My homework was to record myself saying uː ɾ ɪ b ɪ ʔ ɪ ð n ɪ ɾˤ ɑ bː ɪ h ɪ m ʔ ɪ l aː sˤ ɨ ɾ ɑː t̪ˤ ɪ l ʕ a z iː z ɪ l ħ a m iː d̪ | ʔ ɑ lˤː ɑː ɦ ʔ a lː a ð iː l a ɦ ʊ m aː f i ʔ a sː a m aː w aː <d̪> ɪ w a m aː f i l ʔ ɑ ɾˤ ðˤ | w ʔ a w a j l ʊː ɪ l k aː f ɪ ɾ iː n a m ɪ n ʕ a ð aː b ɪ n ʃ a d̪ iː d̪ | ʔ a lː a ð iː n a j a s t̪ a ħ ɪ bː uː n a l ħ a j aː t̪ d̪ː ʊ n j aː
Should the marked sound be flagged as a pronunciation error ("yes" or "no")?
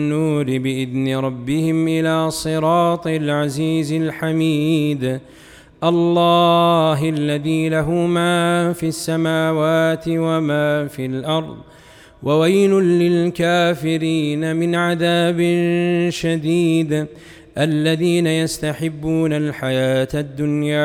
yes